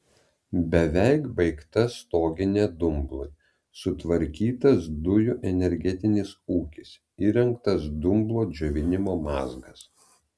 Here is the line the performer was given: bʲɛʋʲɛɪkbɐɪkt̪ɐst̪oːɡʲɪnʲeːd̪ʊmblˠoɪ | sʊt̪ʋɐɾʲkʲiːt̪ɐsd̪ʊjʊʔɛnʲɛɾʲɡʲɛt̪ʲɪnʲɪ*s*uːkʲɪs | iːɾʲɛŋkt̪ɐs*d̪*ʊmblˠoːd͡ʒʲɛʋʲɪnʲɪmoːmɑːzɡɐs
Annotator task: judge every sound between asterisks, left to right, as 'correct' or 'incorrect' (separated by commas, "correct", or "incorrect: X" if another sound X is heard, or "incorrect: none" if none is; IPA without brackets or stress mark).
correct, correct